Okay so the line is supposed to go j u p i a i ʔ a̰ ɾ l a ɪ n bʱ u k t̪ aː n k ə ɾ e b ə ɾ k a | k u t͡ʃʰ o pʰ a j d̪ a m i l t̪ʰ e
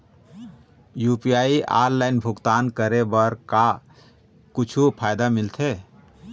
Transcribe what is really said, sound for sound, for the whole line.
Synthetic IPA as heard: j u p i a i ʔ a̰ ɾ l a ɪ n bʱ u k t̪ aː n k ə ɾ e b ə ɾ k a | k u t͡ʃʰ u pʰ a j d̪ a m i l t̪ʰ e